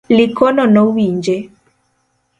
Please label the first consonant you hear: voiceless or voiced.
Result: voiced